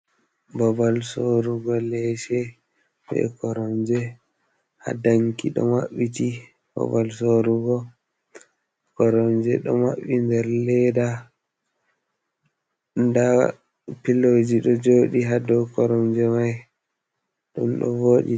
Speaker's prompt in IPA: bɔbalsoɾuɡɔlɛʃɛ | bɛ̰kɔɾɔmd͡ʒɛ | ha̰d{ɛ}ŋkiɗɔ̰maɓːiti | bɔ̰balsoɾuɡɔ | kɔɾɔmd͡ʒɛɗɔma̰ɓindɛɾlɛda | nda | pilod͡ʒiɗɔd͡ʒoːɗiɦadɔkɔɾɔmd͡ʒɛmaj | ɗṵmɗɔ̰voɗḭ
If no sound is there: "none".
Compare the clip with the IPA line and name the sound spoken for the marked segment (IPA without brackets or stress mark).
a